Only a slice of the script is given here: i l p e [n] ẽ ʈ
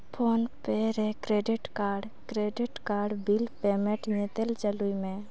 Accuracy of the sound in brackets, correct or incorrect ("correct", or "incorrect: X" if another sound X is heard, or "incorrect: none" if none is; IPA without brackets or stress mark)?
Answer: incorrect: m